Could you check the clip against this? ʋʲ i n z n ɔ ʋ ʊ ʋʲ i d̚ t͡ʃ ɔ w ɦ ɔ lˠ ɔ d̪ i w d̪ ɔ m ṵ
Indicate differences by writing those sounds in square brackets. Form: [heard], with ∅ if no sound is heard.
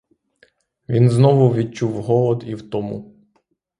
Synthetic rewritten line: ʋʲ i n z n ɔ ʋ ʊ ʋʲ i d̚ t͡ʃ [u] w ɦ ɔ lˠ ɔ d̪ i w [t̪] ɔ m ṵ

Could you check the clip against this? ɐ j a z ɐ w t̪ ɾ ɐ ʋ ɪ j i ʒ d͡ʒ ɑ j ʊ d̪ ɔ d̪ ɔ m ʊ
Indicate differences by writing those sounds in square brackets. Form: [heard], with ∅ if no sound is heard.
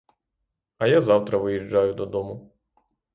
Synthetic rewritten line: ɐ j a z [ɑ] w t̪ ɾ ɐ ʋ ɪ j i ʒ d͡ʒ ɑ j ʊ d̪ ɔ d̪ ɔ m ʊ

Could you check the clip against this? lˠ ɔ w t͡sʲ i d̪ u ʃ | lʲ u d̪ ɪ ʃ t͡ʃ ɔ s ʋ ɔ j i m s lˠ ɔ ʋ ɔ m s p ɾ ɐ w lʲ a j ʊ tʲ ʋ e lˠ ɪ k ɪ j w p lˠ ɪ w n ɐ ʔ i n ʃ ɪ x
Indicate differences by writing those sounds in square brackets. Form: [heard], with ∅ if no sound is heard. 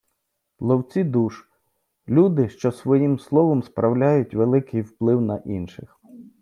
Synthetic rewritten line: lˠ ɔ w t͡sʲ i d̪ u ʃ | lʲ u d̪ ɪ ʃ t͡ʃ ɔ s ʋ ɔ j i m s lˠ ɔ ʋ ɔ m s p ɾ ɐ w lʲ a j ʊ tʲ ʋ e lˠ ɪ k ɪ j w p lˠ ɪ w n ɐ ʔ i n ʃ ɪ x

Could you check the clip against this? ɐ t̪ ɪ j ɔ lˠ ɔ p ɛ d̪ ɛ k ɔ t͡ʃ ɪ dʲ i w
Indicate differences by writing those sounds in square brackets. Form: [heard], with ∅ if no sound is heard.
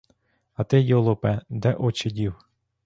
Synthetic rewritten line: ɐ t̪ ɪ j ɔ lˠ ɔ p ɛ d̪ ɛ [ʔ] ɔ t͡ʃ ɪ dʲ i w

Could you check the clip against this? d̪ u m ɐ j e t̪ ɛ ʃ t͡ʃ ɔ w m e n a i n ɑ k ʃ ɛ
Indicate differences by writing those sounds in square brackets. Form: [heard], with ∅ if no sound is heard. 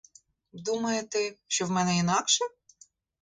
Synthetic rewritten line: d̪ u m ɐ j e t̪ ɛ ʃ t͡ʃ ɔ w m [ɛ] n [ɛ] i n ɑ k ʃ ɛ

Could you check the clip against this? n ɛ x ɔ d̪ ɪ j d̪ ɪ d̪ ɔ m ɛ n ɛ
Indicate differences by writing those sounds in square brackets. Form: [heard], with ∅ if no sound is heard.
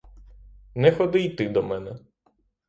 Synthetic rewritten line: n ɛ x ɔ d̪ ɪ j [t̪] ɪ d̪ ɔ m ɛ n ɛ

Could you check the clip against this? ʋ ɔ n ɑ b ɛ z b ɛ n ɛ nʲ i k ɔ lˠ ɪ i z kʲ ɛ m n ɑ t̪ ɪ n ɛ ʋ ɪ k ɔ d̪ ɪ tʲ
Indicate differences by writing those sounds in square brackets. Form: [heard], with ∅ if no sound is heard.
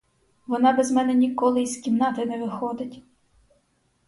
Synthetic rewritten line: ʋ ɔ n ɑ b ɛ z [m] ɛ n ɛ nʲ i k ɔ lˠ ɪ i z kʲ [i] m n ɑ t̪ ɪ n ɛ ʋ ɪ [x] ɔ d̪ ɪ tʲ

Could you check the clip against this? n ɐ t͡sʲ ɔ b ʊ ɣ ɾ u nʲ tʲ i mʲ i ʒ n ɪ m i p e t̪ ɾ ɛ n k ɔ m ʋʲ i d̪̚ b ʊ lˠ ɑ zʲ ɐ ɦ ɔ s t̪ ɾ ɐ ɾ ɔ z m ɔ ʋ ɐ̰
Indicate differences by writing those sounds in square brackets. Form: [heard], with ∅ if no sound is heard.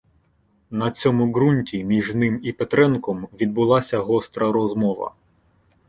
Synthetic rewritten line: n ɐ t͡sʲ ɔ [m] ʊ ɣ ɾ u nʲ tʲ i mʲ i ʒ n ɪ m i p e t̪ ɾ ɛ n k ɔ m ʋʲ i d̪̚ b ʊ lˠ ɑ [sʲ] ɐ ɦ ɔ s t̪ ɾ ɐ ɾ ɔ z m ɔ ʋ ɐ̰

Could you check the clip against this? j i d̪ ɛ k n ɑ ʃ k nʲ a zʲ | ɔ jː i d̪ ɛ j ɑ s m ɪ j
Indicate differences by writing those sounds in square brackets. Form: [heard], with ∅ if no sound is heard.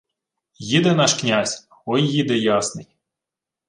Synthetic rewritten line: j i d̪ ɛ [∅] n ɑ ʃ k nʲ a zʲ | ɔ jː i d̪ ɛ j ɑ s [n] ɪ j

